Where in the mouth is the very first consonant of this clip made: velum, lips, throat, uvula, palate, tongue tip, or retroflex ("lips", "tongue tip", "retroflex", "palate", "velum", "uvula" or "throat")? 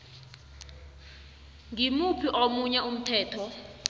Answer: velum